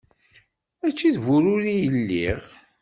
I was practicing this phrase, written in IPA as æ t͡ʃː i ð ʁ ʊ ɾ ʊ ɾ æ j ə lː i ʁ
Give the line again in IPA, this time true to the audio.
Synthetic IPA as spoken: æ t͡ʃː i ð v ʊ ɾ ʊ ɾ i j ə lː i ʁ